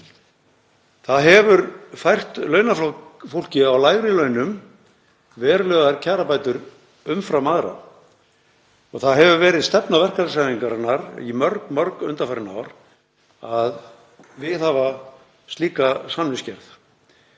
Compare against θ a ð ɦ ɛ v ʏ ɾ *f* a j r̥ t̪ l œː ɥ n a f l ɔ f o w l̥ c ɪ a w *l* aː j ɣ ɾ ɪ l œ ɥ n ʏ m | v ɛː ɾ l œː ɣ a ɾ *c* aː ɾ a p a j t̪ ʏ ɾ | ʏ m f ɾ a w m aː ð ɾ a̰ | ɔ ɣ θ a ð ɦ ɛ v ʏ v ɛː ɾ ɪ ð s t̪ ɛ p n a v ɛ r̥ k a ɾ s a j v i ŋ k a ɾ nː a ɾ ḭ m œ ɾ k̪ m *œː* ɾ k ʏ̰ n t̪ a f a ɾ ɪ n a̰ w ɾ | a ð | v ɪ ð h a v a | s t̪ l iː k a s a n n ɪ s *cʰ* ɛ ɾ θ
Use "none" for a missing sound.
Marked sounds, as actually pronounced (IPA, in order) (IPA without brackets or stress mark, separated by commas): f, l, cʰ, œ, c